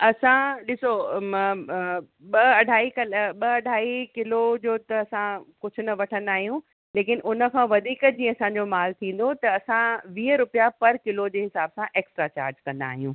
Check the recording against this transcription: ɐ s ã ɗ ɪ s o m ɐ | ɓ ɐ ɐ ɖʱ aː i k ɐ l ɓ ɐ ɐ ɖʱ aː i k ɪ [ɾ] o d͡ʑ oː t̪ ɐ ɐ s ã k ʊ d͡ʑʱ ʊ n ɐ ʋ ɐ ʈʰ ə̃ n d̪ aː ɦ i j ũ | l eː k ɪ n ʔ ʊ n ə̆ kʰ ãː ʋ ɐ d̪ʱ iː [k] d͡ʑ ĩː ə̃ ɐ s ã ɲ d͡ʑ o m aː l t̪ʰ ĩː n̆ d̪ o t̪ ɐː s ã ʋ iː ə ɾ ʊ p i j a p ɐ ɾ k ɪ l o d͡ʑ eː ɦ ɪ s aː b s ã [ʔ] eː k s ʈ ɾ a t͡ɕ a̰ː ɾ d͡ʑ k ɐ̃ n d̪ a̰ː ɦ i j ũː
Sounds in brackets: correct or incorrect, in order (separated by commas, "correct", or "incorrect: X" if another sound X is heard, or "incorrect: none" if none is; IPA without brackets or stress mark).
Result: incorrect: l, correct, correct